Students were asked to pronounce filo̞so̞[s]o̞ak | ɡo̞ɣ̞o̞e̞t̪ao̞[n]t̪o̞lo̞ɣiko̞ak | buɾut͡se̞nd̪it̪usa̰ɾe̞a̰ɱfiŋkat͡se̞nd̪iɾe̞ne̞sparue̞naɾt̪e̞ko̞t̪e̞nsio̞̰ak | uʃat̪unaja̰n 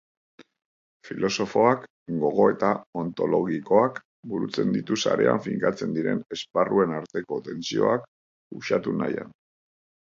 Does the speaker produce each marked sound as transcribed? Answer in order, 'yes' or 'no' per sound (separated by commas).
no, yes